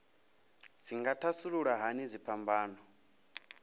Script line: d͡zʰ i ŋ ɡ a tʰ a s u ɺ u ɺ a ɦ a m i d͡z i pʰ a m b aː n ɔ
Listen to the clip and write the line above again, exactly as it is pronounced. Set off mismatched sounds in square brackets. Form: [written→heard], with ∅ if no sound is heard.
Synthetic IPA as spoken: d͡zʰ i ŋ ɡ a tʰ a s u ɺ u ɺ a ɦ a [m→n] i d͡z i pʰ a m b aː n ɔ